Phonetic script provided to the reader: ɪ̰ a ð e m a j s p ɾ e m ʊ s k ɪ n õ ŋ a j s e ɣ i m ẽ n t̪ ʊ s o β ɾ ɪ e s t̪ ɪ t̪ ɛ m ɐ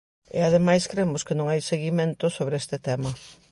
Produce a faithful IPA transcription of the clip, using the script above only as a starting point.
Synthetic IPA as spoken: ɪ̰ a ð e m a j s k ɾ e m ʊ s k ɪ n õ ŋ a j s e ɣ i m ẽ n t̪ ʊ s o β ɾ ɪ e s t̪ ɪ t̪ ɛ m ɐ